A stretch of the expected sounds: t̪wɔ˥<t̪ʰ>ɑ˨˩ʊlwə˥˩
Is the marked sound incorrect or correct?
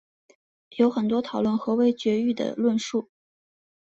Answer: correct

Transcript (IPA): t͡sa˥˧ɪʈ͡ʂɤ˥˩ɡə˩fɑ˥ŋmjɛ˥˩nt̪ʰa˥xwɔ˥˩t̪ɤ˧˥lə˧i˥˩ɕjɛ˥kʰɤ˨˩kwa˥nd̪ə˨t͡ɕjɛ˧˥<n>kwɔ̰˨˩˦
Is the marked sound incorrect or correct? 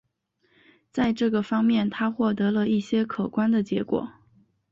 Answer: incorrect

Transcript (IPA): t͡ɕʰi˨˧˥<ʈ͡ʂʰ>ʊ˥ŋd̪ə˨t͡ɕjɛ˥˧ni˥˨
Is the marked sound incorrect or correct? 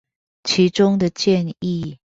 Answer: incorrect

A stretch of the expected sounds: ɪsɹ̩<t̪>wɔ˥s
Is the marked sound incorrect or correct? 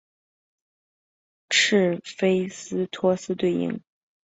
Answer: incorrect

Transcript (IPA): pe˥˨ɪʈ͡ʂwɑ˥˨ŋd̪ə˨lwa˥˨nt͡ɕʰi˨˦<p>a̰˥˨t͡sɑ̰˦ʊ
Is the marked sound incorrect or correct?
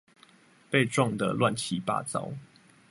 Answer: correct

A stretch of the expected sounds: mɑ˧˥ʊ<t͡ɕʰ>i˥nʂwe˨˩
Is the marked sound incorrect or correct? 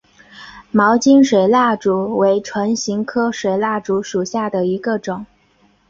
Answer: incorrect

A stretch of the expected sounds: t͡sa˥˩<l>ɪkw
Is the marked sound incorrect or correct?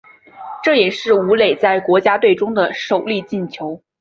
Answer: incorrect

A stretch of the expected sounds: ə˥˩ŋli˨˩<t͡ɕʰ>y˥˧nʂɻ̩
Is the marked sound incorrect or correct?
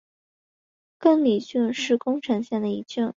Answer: incorrect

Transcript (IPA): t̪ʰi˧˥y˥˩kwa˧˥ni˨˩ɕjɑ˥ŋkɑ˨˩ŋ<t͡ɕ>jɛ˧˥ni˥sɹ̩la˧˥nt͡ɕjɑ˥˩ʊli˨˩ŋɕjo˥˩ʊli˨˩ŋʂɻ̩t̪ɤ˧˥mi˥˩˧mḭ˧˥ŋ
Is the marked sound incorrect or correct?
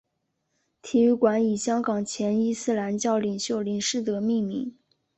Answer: incorrect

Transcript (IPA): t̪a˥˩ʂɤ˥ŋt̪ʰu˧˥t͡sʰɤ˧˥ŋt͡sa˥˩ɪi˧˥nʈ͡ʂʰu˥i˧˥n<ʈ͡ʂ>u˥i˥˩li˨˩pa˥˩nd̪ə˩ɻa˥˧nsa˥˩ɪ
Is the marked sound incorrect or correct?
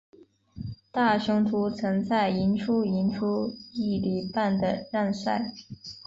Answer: incorrect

